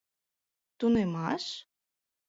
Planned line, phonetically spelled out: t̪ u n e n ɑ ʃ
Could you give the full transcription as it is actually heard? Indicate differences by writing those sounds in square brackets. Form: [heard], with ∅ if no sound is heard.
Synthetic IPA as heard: t̪ u n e [m] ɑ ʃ